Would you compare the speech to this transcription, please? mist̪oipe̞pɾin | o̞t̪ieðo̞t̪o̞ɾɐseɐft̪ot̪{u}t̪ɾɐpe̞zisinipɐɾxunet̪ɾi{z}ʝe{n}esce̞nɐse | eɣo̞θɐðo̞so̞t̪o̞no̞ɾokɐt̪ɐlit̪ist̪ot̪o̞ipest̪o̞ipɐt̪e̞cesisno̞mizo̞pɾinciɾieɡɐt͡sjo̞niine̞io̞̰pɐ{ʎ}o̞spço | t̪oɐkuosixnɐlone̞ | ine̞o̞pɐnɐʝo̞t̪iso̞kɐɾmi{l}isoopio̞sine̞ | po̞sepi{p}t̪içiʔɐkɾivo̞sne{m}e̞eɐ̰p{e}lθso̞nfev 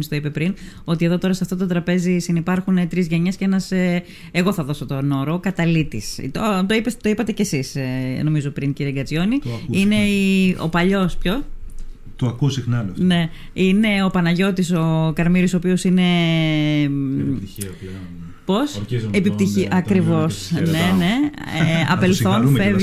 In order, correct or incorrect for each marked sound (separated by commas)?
incorrect, correct, incorrect, correct, incorrect, correct, incorrect, correct